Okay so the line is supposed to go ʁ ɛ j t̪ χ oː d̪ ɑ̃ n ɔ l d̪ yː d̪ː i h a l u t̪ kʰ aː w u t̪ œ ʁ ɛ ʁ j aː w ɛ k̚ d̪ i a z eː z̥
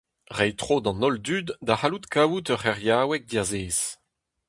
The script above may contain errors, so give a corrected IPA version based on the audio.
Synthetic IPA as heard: ʁ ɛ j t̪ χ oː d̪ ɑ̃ n ɔ l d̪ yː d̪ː a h a l u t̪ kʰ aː w u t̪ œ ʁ ɛ ʁ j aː w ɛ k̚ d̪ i a z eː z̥